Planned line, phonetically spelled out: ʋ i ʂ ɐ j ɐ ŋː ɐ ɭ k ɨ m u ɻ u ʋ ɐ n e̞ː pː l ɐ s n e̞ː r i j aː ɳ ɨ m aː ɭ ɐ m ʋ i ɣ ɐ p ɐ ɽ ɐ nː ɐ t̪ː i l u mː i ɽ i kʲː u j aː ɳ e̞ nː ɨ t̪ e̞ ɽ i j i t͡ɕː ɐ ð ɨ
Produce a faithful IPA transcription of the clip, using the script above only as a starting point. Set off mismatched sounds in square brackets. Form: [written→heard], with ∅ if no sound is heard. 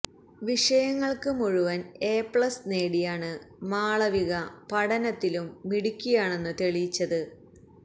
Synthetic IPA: ʋ i ʂ ɐ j ɐ ŋː ɐ ɭ k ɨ m u ɻ u ʋ ɐ n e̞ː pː [l→ɭ] ɐ s n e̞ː [r→ɽ] i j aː ɳ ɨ m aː ɭ ɐ [m→∅] ʋ i ɣ ɐ p ɐ ɽ ɐ [nː→n] ɐ t̪ː i l u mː i ɽ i kʲː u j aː ɳ e̞ nː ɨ t̪ e̞ [ɽ→ɭ] i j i t͡ɕː ɐ ð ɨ